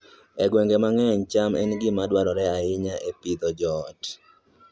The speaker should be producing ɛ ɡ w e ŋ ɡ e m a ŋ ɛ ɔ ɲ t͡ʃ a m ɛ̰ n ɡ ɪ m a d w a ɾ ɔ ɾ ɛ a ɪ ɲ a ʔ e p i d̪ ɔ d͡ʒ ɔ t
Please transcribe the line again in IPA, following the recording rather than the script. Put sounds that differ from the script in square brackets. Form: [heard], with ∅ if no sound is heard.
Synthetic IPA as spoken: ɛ ɡ w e ŋ ɡ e m a ŋ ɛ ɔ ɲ t͡ʃ a m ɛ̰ n ɡ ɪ m a d w a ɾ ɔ ɾ ɛ a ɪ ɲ a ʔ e p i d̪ ɔ d͡ʒ ɔ t